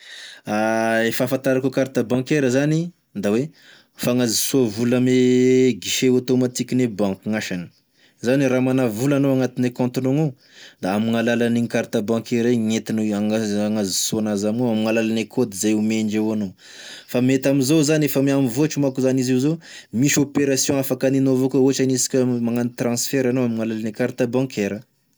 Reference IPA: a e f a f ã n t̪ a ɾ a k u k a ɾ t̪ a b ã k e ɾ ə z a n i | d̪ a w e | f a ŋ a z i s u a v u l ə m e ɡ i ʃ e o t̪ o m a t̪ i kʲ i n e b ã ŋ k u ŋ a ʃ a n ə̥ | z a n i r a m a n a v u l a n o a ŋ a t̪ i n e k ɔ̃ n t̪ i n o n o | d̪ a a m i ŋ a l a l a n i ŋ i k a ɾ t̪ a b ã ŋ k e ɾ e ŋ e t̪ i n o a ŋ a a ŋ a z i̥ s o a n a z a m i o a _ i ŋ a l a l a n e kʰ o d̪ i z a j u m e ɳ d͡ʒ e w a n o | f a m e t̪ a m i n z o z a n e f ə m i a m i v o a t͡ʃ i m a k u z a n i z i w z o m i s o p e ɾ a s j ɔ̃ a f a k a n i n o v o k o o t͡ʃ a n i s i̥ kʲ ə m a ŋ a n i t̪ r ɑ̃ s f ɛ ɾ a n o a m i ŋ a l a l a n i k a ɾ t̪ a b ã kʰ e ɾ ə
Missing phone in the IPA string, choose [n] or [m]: m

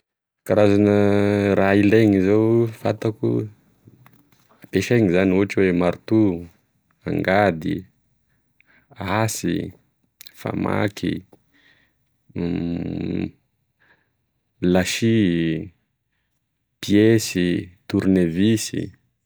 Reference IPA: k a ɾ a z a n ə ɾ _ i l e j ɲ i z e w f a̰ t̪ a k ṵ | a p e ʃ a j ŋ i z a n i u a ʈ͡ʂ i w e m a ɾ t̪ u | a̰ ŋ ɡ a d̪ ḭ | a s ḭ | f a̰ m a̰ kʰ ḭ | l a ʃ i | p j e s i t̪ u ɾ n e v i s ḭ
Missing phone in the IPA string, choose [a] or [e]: a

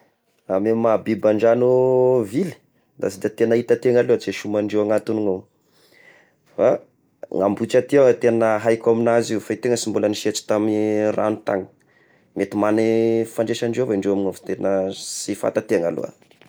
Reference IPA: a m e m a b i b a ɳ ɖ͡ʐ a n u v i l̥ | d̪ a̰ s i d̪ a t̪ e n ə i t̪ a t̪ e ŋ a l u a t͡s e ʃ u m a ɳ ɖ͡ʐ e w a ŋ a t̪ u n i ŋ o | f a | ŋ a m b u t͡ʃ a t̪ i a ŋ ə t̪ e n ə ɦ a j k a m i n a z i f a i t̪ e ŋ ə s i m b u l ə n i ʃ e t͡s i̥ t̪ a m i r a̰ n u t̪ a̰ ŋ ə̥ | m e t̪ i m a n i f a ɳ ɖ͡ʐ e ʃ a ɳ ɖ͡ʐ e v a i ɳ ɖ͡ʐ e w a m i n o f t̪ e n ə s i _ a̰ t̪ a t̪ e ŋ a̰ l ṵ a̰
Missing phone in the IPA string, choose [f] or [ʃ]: f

